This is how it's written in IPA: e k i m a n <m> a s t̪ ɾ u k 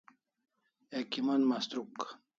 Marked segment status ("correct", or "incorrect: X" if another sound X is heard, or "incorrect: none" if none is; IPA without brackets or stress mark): correct